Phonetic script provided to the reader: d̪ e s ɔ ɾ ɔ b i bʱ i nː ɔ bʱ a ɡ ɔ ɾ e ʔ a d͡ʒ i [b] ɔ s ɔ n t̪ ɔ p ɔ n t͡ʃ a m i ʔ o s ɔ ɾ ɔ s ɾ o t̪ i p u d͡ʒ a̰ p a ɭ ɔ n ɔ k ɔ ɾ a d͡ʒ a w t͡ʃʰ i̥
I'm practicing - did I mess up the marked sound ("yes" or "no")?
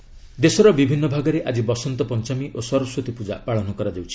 no